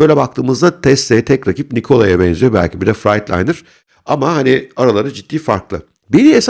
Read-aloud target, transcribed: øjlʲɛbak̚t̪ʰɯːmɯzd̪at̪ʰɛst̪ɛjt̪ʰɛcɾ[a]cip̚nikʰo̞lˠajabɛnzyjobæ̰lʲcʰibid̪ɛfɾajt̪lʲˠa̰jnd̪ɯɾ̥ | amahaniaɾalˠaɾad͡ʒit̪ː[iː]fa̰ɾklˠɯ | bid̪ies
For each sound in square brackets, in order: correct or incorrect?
correct, correct

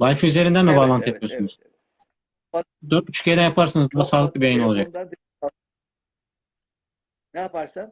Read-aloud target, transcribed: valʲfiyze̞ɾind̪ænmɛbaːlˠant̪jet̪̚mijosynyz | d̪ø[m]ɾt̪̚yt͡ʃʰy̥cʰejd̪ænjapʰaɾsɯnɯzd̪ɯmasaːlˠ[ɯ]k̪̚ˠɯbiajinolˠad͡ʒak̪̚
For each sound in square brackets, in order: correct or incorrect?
incorrect: none, correct

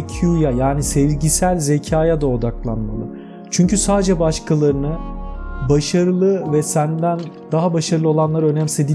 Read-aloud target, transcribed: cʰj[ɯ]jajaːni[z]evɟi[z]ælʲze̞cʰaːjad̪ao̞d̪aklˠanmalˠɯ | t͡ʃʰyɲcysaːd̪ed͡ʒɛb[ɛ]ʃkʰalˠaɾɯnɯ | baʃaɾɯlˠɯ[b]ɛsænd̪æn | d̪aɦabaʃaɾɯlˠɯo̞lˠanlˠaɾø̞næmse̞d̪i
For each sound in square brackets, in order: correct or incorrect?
incorrect: u, incorrect: s, incorrect: s, incorrect: a, incorrect: v

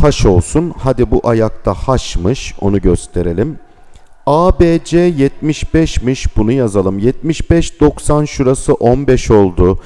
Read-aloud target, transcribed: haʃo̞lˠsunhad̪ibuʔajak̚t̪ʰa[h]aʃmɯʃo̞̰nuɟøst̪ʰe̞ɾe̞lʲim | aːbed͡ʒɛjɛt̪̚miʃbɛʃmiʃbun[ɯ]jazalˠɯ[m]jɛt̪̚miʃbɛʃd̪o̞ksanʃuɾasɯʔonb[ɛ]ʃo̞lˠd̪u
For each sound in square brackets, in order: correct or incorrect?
correct, incorrect: u, correct, correct

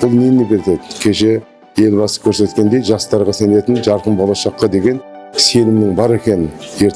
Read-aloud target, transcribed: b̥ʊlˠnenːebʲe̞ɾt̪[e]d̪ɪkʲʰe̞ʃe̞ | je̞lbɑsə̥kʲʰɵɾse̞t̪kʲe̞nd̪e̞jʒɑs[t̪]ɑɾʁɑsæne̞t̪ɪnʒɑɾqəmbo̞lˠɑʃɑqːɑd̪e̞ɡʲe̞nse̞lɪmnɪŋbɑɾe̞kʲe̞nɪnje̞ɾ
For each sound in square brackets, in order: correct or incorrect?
correct, correct

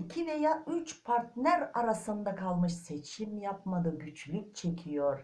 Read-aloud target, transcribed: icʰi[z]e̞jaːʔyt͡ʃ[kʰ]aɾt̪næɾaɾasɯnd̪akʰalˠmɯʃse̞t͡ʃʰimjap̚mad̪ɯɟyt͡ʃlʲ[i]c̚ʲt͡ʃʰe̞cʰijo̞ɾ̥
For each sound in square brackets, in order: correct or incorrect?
incorrect: v, incorrect: pʰ, incorrect: y

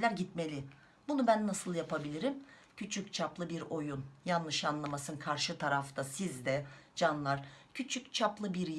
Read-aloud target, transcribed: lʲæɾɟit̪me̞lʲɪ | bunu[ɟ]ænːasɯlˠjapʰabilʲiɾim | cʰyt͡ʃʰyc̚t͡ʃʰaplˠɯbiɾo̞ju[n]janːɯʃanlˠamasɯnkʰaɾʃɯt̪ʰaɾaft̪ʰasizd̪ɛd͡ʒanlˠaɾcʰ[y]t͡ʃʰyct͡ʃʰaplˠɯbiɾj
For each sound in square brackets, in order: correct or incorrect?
incorrect: b, correct, correct

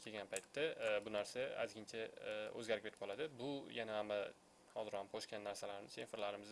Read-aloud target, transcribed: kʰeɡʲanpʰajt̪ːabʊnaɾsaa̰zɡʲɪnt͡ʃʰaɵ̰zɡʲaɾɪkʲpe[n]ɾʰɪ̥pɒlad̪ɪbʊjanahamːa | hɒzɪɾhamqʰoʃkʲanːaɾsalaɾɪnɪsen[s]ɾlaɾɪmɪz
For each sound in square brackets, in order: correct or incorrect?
incorrect: none, incorrect: f

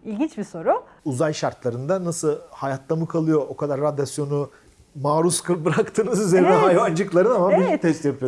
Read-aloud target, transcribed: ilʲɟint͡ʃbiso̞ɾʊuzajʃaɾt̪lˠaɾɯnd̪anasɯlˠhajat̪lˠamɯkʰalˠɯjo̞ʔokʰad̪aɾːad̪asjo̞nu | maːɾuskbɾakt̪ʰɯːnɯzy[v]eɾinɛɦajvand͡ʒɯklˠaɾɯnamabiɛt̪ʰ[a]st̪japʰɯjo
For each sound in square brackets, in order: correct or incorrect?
incorrect: z, incorrect: ɛ

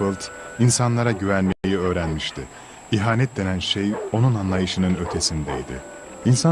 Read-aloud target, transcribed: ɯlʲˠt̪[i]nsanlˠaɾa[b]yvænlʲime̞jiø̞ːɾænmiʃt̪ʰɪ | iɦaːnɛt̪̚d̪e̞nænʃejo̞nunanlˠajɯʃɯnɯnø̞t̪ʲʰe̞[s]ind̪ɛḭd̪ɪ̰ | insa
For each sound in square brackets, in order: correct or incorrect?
correct, incorrect: ɟ, correct

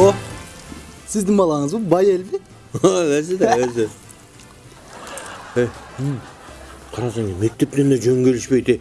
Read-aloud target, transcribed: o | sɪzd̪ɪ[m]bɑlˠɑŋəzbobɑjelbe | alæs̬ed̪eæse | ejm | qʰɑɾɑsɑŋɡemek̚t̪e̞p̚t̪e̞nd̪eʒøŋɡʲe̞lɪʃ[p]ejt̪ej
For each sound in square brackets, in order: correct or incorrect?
incorrect: ŋ, correct

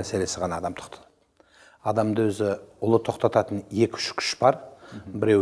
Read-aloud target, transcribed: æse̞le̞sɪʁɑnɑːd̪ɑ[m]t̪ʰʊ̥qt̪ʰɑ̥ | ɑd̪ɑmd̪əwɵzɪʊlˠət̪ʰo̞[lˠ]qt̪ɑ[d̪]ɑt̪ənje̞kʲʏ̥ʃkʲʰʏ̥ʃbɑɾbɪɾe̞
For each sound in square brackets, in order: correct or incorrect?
correct, incorrect: none, incorrect: t̪

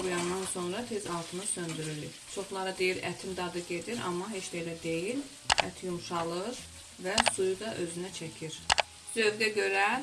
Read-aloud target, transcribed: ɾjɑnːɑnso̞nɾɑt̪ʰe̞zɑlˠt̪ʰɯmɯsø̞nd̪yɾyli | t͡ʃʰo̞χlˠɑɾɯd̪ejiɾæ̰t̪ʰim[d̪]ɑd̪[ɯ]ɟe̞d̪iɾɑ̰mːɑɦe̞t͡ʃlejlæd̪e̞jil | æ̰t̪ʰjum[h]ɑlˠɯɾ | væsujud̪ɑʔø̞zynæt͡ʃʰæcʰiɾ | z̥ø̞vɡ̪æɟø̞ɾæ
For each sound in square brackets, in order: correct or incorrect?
correct, correct, incorrect: ʃ

